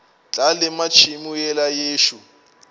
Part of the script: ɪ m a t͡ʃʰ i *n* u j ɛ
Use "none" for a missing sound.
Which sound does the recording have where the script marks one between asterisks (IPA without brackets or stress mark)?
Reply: m